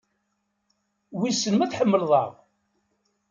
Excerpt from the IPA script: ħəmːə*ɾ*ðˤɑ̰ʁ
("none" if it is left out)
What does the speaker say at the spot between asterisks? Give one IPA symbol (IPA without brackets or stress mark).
l